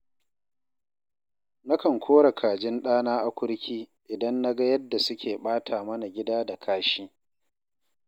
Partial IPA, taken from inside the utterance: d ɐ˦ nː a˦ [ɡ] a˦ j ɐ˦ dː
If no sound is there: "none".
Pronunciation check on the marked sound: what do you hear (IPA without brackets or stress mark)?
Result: ɡ